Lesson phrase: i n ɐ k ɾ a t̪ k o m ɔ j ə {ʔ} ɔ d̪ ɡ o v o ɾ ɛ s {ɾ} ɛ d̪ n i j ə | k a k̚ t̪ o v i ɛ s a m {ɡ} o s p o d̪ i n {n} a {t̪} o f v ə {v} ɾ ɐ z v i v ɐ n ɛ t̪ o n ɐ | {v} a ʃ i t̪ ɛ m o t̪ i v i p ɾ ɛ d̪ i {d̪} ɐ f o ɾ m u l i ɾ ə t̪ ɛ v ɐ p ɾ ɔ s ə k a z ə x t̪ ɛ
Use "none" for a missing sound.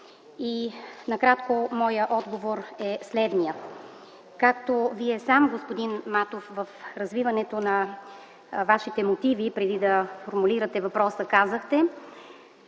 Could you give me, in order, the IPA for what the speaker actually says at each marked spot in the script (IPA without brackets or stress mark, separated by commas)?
ʔ, l, ɡ, m, t̪, f, v, d̪